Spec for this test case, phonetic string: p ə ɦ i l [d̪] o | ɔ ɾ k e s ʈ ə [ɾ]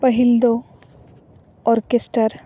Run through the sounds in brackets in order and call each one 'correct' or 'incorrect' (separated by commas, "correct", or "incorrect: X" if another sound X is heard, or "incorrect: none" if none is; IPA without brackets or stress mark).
correct, correct